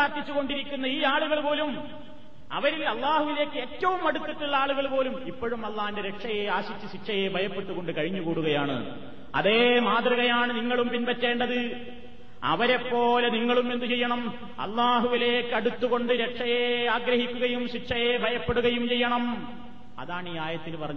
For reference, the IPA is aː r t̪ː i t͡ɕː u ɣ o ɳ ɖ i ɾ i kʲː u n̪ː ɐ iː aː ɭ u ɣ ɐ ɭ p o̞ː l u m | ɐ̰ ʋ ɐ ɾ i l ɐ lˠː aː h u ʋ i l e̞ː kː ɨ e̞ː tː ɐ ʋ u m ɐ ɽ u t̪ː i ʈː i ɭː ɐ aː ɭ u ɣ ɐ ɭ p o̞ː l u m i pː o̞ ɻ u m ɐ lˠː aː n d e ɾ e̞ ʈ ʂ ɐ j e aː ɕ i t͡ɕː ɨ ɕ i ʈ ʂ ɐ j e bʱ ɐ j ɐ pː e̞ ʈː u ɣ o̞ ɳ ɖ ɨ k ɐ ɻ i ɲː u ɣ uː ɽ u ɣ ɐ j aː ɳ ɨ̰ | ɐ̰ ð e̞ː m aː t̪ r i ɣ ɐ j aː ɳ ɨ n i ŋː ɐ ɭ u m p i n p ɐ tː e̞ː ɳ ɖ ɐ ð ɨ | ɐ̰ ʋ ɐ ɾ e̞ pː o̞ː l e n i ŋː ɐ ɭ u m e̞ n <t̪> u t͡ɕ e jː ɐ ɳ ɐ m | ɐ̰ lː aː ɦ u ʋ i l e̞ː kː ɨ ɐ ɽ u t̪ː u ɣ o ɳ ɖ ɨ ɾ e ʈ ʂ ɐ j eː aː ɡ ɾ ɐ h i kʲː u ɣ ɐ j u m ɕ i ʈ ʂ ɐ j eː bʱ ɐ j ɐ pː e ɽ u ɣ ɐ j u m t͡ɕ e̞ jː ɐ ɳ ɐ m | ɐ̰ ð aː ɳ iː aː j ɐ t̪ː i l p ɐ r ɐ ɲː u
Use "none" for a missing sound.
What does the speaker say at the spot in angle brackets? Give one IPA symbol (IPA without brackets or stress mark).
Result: d̪